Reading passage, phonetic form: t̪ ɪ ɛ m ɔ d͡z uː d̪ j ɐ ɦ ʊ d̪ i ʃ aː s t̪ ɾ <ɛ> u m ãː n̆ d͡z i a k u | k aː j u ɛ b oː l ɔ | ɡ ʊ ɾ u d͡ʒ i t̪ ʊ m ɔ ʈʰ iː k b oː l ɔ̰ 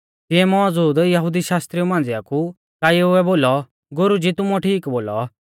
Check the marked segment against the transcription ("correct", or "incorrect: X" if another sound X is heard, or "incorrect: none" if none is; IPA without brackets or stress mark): incorrect: i